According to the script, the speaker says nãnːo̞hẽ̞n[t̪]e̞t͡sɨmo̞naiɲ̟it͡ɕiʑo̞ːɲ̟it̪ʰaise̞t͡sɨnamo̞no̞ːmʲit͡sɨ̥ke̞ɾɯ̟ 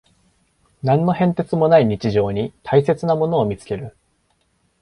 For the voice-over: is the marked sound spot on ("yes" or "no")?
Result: yes